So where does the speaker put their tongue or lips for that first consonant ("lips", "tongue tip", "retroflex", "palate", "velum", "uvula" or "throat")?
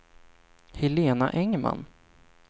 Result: throat